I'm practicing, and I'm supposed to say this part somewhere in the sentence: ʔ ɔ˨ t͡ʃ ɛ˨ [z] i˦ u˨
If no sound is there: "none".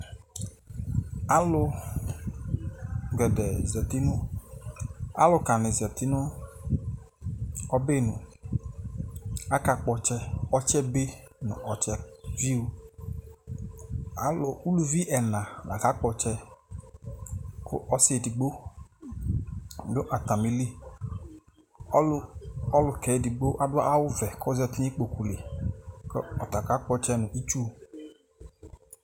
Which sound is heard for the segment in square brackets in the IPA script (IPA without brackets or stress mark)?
v